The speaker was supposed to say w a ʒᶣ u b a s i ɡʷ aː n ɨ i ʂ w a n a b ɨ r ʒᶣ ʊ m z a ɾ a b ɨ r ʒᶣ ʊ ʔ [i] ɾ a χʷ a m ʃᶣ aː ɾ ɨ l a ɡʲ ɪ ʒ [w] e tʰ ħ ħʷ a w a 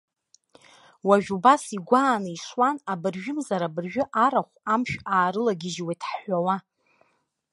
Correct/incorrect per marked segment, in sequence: incorrect: a, correct

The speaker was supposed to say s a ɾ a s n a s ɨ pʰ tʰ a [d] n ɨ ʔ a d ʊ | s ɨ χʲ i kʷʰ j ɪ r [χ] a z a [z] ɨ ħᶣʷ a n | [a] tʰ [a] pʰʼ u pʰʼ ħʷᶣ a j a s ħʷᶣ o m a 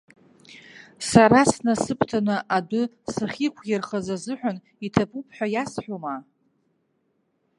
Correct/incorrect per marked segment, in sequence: incorrect: none, correct, correct, incorrect: i, correct

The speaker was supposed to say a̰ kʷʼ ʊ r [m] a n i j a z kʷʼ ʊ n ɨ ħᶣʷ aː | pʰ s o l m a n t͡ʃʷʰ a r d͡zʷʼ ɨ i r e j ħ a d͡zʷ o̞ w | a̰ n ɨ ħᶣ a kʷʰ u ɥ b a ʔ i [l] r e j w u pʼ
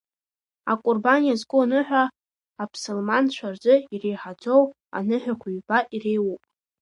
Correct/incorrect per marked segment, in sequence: incorrect: b, incorrect: none

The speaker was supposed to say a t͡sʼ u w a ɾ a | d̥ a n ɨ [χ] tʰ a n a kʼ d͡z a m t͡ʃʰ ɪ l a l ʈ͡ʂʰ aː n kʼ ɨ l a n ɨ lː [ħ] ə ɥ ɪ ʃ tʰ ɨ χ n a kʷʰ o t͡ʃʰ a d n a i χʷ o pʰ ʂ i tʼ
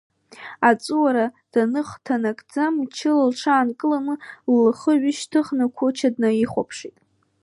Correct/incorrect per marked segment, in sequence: correct, incorrect: χ

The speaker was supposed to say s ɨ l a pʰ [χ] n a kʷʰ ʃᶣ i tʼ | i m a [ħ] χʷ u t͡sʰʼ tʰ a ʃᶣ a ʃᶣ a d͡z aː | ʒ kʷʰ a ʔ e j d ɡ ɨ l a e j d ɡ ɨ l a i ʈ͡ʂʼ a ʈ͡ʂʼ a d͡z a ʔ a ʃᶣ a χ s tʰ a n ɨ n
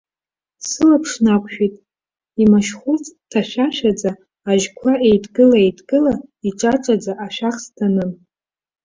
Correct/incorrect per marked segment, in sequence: incorrect: ʂ, incorrect: ʃ

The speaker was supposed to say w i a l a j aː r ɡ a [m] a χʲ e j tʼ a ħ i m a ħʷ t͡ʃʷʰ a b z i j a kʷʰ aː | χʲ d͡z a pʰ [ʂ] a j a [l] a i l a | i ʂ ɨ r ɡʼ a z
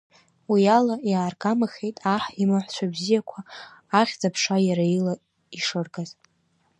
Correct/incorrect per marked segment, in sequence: correct, correct, incorrect: ɾ

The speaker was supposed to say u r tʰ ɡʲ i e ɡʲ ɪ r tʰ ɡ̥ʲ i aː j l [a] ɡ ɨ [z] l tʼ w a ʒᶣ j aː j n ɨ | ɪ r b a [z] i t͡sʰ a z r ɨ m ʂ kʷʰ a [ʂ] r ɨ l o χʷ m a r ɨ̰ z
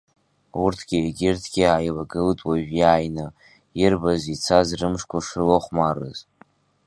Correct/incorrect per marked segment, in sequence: correct, incorrect: none, correct, correct

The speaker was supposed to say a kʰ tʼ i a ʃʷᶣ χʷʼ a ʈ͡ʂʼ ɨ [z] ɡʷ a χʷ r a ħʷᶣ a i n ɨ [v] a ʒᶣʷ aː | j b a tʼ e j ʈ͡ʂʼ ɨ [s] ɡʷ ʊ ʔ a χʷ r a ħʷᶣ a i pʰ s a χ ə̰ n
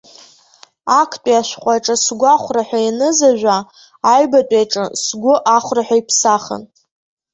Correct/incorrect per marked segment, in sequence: incorrect: s, incorrect: z, correct

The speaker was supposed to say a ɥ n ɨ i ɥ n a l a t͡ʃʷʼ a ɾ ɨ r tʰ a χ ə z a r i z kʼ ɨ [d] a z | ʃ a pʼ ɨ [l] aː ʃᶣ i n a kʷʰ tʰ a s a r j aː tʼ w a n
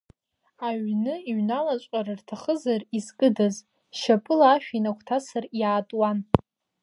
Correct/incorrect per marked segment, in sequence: correct, correct

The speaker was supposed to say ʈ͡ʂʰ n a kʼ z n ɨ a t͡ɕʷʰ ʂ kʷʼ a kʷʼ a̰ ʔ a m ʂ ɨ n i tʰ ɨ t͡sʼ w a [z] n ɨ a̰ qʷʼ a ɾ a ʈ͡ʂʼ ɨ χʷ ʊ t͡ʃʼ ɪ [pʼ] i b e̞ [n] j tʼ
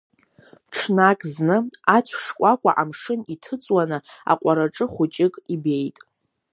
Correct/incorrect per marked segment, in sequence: incorrect: none, incorrect: kʼ, incorrect: none

